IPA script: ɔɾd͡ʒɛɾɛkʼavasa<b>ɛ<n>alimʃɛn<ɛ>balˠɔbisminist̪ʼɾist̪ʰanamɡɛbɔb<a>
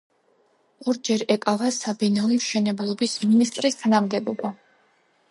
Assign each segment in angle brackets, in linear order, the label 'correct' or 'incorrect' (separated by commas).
correct, correct, correct, correct